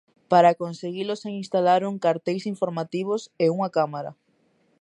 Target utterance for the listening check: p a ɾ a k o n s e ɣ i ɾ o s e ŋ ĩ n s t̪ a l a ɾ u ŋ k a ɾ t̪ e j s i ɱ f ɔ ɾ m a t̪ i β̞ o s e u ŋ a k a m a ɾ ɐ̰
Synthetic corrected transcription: p a ɾ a k o n s e ɣ i l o s e ŋ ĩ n s t̪ a l a ɾ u ŋ k a ɾ t̪ e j s i ɱ f o ɾ m a t̪ i β̞ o s e u ŋ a k a m a ɾ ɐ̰